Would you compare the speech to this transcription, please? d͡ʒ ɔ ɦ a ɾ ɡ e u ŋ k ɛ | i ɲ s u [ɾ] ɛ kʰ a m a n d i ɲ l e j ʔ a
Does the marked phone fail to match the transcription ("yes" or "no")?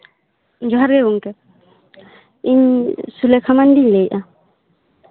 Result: yes